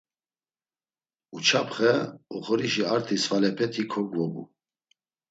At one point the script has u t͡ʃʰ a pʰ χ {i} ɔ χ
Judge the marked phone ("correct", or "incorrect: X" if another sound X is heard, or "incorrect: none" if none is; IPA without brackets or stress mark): incorrect: ɛ